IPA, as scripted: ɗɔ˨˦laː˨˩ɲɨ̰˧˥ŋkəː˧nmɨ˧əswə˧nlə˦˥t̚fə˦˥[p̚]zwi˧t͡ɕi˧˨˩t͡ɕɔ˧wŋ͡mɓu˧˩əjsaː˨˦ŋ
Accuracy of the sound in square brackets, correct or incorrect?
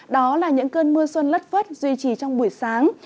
incorrect